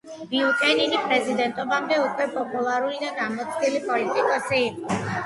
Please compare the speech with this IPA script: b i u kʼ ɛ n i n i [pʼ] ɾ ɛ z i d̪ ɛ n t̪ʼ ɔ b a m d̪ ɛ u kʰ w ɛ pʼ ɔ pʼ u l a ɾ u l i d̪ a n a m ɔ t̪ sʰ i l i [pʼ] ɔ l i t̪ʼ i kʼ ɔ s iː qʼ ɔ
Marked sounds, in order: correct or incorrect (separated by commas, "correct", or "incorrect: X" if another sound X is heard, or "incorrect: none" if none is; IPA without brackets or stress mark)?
correct, correct